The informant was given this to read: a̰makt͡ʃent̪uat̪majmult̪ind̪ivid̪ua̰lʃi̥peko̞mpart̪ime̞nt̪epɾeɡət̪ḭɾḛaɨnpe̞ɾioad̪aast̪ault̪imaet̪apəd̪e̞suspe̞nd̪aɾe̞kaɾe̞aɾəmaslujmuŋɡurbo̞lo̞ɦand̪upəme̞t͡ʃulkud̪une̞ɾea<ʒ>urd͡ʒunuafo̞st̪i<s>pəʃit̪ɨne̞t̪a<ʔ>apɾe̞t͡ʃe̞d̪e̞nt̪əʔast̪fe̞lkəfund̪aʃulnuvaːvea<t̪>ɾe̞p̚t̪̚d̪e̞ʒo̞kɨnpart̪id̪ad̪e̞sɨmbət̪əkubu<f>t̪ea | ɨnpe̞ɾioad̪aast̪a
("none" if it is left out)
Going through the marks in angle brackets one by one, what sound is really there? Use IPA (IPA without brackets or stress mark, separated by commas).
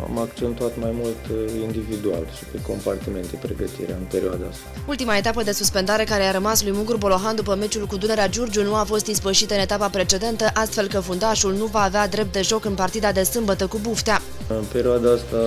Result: d͡ʒ, s, p, d̪, f